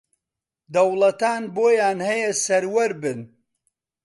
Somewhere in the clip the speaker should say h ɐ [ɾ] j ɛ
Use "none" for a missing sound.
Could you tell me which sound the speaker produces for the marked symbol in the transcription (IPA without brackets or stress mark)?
none